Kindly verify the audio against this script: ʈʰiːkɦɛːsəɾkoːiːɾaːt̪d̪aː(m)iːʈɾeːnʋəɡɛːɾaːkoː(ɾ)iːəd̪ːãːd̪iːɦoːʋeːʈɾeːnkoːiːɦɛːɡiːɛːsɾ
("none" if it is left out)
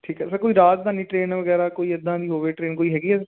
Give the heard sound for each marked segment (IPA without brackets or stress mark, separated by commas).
n, none